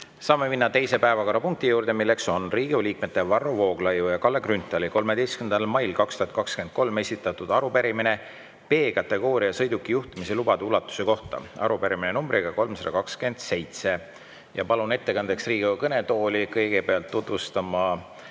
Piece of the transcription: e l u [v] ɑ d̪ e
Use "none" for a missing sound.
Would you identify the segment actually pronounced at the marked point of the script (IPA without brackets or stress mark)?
b